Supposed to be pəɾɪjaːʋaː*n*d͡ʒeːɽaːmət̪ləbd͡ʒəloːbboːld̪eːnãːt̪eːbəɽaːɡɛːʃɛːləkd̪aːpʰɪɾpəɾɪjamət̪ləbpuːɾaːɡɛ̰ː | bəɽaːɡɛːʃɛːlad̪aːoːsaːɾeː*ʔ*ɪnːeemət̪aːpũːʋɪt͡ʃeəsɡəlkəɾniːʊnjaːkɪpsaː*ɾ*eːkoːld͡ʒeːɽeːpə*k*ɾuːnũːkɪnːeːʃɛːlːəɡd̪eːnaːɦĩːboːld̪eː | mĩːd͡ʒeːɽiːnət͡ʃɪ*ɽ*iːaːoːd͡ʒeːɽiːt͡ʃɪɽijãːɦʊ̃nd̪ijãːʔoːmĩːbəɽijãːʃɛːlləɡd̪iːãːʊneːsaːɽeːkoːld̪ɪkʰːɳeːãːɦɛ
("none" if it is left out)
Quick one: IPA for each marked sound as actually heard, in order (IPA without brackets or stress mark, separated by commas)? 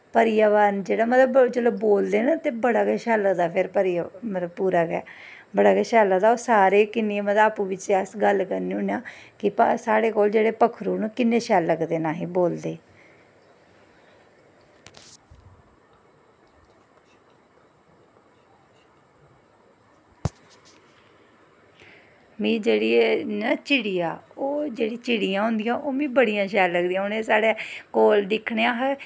n, k, ɽ, kʰ, ɽ